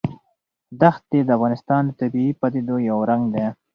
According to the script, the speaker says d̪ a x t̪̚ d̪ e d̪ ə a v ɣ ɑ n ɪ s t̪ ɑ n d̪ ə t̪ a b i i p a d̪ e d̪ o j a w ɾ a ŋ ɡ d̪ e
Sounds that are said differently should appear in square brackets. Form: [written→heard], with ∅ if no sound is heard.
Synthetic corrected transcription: d̪ a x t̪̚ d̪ e d̪ ə a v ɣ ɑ n ɪ s t̪ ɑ n d̪ ə t̪ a b i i p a d̪ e d̪ o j a w ɾ a ŋ ɡ d̪ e